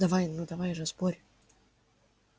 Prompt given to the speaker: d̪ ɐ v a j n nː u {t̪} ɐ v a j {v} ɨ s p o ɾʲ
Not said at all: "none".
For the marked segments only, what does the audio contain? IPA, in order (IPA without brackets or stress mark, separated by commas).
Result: d̪, ʐ